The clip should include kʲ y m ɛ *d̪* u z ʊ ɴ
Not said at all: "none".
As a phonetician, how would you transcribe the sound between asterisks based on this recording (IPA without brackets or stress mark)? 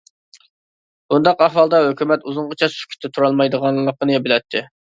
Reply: t̪